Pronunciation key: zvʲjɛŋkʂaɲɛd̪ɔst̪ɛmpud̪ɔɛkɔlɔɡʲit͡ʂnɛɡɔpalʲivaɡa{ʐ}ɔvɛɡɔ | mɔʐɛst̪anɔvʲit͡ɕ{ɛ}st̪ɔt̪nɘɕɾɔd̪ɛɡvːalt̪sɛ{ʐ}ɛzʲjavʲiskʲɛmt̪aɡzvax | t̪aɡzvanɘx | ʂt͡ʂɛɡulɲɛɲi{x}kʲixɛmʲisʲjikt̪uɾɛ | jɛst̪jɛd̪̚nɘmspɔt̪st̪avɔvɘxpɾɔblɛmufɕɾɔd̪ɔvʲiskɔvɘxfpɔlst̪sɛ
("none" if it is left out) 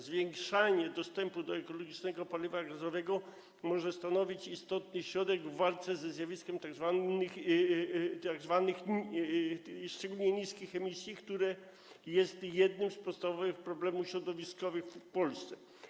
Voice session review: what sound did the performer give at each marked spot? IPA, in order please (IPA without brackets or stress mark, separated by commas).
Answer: z, i, z, s